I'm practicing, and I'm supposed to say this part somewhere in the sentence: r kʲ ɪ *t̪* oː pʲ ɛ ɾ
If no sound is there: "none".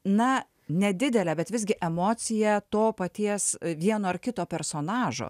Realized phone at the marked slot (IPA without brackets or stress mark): t̪